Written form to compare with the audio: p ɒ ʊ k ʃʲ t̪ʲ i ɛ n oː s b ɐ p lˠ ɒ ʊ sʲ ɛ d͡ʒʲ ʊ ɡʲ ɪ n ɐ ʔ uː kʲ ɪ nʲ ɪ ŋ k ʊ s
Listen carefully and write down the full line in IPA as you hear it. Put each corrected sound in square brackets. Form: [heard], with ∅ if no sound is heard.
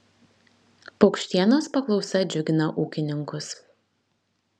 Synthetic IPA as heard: p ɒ ʊ k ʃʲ t̪ʲ i ɛ n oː s [p] ɐ [k] lˠ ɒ ʊ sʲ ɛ d͡ʒʲ ʊ ɡʲ ɪ n ɐ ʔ uː kʲ ɪ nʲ ɪ ŋ k ʊ s

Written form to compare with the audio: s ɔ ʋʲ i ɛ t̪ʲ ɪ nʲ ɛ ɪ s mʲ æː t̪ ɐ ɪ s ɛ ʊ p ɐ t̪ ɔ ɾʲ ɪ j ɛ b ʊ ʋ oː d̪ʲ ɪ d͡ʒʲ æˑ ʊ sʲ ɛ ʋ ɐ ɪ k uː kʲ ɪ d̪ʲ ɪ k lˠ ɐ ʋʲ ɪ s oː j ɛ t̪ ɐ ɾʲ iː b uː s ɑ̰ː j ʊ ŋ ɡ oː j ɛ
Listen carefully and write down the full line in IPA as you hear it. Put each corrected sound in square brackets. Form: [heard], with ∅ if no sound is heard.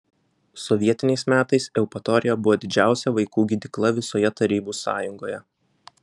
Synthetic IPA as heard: s ɔ ʋʲ i ɛ t̪ʲ ɪ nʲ ɛ ɪ s mʲ æː t̪ ɐ ɪ s ɛ ʊ p ɐ t̪ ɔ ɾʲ ɪ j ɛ b ʊ ʋ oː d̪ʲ ɪ d͡ʒʲ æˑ ʊ sʲ ɛ ʋ ɐ ɪ k uː [ɡʲ] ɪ d̪ʲ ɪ k lˠ ɐ ʋʲ ɪ s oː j ɛ t̪ ɐ ɾʲ iː b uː s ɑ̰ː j ʊ ŋ ɡ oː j ɛ

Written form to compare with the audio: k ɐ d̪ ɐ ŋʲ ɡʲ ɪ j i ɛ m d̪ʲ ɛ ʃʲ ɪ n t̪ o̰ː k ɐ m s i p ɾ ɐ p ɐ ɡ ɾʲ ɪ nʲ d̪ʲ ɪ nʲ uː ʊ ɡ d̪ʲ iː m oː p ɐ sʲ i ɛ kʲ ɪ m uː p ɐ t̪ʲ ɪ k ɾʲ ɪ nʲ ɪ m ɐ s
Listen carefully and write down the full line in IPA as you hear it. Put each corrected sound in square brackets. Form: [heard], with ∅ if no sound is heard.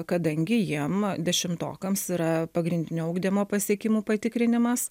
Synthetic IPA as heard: k ɐ d̪ ɐ ŋʲ ɡʲ ɪ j i ɛ m d̪ʲ ɛ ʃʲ ɪ [m] t̪ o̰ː k ɐ m s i [∅] ɾ ɐ p ɐ ɡ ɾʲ ɪ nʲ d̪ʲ ɪ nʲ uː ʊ ɡ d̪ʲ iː m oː p ɐ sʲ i ɛ kʲ ɪ m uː p ɐ t̪ʲ ɪ k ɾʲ ɪ nʲ ɪ m ɐ s

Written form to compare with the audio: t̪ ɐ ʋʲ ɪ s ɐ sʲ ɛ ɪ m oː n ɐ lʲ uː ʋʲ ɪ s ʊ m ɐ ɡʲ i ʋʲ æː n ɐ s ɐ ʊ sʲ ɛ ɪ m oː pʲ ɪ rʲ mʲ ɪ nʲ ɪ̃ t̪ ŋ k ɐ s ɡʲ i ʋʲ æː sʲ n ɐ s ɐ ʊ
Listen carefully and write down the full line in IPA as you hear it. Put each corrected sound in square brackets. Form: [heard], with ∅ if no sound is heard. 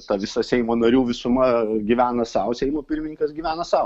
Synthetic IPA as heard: t̪ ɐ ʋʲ ɪ s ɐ sʲ ɛ ɪ m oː n ɐ [ɾʲ] uː ʋʲ ɪ s ʊ m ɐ ɡʲ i ʋʲ æː n ɐ s ɐ ʊ sʲ ɛ ɪ m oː pʲ ɪ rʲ mʲ ɪ nʲ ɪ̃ [∅] ŋ k ɐ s ɡʲ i ʋʲ æː [∅] n ɐ s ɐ ʊ

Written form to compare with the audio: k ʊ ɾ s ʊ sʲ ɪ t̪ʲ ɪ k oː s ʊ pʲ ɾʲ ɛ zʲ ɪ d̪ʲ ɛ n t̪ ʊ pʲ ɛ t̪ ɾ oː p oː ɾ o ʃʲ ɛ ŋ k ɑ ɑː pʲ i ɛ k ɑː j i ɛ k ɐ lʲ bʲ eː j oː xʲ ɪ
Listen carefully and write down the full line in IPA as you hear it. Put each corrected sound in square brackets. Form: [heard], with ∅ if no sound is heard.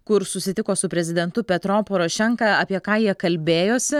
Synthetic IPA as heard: k ʊ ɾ s ʊ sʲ ɪ t̪ʲ ɪ k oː s ʊ pʲ ɾʲ ɛ zʲ ɪ d̪ʲ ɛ n t̪ ʊ pʲ ɛ t̪ ɾ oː p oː ɾ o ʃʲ ɛ ŋ k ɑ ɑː pʲ i ɛ k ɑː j i ɛ k ɐ lʲ bʲ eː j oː [sʲ] ɪ

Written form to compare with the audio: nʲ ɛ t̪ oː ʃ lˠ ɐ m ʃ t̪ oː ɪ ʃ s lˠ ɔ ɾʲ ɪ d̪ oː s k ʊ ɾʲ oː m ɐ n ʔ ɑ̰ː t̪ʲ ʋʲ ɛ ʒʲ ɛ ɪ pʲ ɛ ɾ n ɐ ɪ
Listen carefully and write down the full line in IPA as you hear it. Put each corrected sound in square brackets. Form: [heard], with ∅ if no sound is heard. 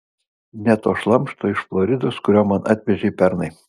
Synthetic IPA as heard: nʲ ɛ t̪ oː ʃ lˠ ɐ m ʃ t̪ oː ɪ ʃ [f] lˠ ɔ ɾʲ ɪ d̪ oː s k ʊ ɾʲ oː m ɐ n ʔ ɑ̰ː t̪ʲ ʋʲ ɛ ʒʲ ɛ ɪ pʲ ɛ ɾ n ɐ ɪ

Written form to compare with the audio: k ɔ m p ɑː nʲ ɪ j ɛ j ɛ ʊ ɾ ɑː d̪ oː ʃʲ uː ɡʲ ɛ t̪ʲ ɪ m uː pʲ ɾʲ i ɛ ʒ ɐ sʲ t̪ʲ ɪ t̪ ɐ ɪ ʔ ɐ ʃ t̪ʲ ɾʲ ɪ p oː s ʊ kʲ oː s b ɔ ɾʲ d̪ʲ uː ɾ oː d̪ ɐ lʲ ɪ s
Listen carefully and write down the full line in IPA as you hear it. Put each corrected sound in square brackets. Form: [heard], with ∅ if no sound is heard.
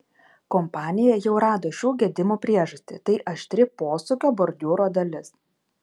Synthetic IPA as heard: k ɔ m p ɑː nʲ ɪ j ɛ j ɛ ʊ ɾ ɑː d̪ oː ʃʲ uː ɡʲ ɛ [d̪ʲ] ɪ m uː pʲ ɾʲ i ɛ ʒ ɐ sʲ t̪ʲ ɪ t̪ ɐ ɪ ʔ ɐ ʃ t̪ʲ ɾʲ ɪ p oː s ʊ kʲ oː [∅] b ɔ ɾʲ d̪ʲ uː ɾ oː d̪ ɐ lʲ ɪ s

